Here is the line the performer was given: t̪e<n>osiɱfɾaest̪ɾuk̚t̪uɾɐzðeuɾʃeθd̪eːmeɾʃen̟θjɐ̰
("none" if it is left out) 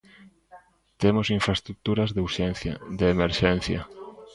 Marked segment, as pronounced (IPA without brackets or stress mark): m